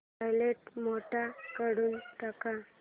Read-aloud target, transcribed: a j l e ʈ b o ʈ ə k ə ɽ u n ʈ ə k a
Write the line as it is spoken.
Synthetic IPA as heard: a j l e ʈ m o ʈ a k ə ɽ uː n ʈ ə k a